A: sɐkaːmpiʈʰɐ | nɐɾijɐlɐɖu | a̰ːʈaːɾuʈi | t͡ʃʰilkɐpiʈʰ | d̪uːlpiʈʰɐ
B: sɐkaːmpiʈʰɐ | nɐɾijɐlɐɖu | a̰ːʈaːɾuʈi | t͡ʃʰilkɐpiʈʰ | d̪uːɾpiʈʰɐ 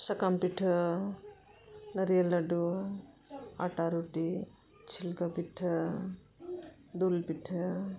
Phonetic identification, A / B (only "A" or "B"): A